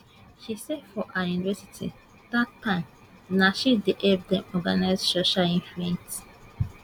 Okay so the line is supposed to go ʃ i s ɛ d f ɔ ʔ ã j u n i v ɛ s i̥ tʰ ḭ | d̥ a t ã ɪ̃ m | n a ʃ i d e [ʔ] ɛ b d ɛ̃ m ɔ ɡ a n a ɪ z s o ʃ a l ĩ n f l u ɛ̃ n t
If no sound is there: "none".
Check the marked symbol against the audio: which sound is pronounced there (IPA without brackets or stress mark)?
ʔ